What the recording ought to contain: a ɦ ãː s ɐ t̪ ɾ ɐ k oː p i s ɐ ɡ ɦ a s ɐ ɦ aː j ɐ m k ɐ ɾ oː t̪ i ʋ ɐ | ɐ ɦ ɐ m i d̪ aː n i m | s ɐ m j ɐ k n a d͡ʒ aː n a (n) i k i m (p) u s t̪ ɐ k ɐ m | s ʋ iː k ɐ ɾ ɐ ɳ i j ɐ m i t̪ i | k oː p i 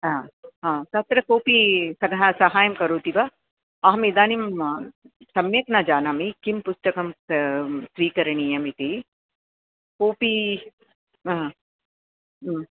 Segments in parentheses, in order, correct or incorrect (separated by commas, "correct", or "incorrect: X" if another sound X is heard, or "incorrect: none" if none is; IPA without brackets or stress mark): incorrect: m, correct